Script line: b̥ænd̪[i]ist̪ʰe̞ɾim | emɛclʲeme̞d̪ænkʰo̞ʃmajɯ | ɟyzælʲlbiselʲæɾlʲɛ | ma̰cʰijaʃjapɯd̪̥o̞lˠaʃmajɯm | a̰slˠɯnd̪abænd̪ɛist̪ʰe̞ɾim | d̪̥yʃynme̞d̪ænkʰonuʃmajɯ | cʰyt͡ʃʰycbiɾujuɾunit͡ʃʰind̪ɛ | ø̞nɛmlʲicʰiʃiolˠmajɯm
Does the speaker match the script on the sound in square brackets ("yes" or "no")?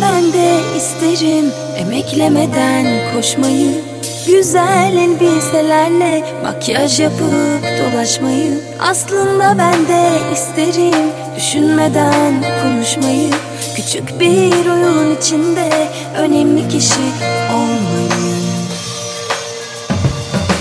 no